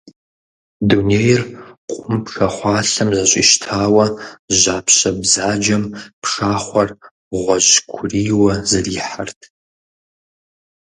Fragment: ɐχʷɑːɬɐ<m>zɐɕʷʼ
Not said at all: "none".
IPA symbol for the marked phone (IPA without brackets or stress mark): m